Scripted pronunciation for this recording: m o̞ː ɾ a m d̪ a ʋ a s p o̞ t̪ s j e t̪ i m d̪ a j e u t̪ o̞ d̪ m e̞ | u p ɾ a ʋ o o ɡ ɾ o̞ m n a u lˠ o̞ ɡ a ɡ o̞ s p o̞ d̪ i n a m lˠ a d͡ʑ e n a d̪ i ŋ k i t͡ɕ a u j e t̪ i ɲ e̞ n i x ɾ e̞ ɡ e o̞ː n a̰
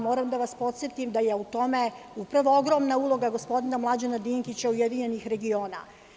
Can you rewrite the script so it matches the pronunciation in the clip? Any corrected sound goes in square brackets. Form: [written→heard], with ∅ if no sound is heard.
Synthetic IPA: m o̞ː ɾ a m d̪ a ʋ a s p o̞ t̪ s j e t̪ i m d̪ a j e u t̪ o̞ [d̪→∅] m e̞ | u p ɾ a ʋ o o ɡ ɾ o̞ m n a u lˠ o̞ ɡ a ɡ o̞ s p o̞ d̪ i n a m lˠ a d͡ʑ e n a d̪ i ŋ k i t͡ɕ a u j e [t̪→d̪] i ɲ e̞ n i x ɾ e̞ ɡ [e→i] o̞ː n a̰